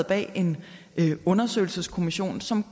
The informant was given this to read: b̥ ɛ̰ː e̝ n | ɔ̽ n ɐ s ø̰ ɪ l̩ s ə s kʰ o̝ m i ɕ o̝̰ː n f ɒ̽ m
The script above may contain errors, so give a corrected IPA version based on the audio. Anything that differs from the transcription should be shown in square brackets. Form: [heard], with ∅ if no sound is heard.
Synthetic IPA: b̥ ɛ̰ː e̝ n | ɔ̽ n ɐ s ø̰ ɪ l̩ s ə s kʰ o̝ m i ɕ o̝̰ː n [s] ɒ̽ m